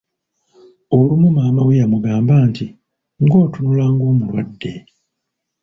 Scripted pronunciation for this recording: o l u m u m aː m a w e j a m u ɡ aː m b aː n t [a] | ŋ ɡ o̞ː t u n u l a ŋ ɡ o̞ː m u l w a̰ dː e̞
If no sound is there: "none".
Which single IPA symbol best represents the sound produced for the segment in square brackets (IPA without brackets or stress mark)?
i